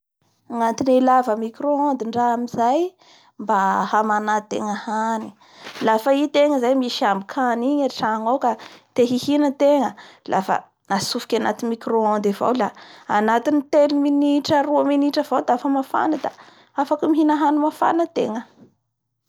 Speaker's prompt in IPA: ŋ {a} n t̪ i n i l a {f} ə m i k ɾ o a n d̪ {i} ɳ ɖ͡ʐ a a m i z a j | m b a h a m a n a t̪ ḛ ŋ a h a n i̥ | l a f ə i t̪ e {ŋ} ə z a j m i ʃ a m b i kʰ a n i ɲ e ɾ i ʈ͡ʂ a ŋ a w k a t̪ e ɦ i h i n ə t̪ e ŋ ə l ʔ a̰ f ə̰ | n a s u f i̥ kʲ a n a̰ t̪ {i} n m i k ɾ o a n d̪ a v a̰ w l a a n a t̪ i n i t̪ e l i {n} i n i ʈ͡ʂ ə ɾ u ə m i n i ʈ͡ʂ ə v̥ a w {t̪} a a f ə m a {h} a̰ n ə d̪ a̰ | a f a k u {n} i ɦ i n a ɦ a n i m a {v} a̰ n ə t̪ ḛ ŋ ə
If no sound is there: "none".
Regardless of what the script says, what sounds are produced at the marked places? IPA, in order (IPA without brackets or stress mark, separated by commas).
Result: a, v, i, ŋ, i, m, d̪, f, m, f